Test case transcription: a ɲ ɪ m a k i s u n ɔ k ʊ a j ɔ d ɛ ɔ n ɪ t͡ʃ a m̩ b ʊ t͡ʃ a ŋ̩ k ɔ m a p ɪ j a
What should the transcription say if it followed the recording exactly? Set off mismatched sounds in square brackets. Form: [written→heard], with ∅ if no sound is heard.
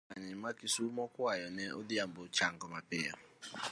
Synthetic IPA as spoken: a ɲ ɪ m a k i s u [n→m] ɔ k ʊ a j ɔ [d→n] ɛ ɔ [n→d] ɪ [t͡ʃ→∅] a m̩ b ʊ t͡ʃ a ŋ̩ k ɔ m a p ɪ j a